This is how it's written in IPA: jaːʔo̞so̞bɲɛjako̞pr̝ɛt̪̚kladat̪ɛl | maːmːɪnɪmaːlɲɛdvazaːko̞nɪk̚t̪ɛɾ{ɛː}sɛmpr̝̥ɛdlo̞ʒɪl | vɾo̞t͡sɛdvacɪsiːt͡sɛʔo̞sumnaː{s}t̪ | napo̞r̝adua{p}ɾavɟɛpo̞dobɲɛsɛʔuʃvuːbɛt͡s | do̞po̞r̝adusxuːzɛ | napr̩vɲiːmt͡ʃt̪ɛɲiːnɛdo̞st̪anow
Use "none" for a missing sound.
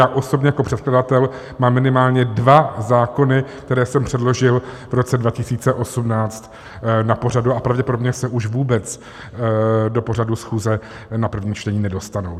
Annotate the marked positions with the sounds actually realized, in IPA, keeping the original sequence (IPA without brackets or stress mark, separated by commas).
ɛː, t͡s, p